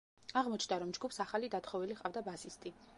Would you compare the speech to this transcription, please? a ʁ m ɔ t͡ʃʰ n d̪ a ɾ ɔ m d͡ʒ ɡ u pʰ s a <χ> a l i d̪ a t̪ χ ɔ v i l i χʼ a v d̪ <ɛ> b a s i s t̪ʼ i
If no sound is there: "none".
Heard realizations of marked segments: χ, a

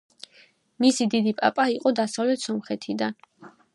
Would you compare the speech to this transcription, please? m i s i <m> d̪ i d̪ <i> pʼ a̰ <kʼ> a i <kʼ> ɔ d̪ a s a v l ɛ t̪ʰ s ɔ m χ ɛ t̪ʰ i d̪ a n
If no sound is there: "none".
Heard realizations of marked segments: none, i, pʼ, qʼ

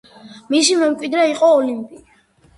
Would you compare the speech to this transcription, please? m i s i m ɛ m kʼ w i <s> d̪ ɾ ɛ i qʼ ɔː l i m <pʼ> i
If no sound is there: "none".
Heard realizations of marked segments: none, pʼ

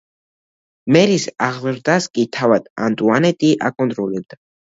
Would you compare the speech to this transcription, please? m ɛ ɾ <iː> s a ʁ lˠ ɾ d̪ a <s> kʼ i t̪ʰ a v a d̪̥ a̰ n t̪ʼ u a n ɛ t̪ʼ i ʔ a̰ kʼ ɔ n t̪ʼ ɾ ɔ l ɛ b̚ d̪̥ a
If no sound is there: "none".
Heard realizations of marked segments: i, s

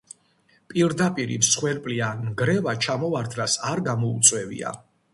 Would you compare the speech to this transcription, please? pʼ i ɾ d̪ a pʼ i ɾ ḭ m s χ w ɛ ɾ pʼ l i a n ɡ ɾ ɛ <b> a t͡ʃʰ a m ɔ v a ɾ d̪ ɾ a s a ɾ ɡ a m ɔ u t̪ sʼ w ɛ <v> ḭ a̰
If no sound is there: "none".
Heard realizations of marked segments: v, v

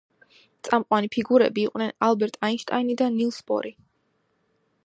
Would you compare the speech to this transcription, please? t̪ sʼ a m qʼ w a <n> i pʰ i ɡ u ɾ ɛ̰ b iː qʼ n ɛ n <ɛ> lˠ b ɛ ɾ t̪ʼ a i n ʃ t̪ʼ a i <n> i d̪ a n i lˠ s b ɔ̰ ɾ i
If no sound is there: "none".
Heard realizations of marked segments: n, a, n

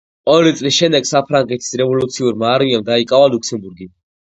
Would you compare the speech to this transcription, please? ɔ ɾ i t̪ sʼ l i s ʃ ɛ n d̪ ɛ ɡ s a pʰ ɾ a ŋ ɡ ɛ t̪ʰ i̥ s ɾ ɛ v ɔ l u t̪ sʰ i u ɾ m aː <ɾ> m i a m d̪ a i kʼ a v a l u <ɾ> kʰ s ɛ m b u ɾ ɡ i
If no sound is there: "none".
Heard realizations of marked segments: ɾ, none

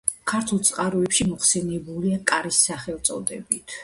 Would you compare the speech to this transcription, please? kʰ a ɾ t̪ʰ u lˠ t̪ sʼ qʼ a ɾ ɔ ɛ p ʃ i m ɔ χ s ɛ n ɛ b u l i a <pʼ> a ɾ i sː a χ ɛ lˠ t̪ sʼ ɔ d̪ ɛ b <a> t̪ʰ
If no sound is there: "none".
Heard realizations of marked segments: kʼ, i

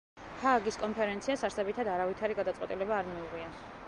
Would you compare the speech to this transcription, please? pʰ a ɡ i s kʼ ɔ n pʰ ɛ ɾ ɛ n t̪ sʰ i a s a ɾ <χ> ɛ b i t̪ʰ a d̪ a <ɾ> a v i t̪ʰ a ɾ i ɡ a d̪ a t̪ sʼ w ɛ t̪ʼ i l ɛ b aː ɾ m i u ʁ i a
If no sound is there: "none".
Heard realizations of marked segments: s, ɾ

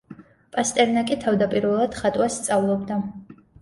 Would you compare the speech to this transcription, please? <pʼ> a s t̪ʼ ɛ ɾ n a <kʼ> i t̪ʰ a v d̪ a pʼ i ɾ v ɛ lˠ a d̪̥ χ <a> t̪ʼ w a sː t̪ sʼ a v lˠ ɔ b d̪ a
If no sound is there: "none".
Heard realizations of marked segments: pʼ, kʼ, a

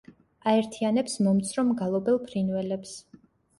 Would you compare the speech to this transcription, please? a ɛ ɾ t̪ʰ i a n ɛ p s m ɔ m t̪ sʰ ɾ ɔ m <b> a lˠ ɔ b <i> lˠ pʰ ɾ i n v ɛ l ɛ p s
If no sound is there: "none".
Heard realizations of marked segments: ɡ, ɛ

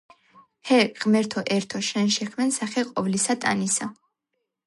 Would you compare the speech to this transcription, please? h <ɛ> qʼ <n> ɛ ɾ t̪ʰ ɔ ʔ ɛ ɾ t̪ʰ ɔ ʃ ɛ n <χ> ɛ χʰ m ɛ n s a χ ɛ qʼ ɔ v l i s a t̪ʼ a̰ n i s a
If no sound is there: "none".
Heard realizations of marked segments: ɛ, m, ʃ

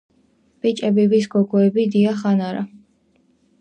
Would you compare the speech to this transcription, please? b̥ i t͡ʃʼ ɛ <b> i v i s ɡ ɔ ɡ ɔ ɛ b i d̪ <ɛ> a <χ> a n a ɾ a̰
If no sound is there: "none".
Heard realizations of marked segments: b, i, χ

